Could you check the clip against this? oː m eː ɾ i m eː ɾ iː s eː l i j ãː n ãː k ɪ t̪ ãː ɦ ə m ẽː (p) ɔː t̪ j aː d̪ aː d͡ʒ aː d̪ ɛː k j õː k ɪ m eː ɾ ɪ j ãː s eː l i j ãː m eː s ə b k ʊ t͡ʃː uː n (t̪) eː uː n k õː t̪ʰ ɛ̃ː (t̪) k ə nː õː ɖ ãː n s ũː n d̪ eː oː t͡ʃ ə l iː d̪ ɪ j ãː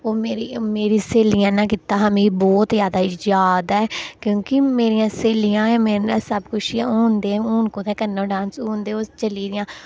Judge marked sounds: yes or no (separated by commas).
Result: no, no, no